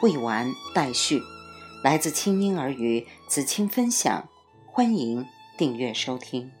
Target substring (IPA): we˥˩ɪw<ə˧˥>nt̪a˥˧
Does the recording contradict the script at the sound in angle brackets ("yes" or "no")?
yes